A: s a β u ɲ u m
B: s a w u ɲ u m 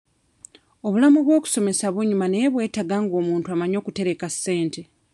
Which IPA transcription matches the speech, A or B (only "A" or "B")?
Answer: A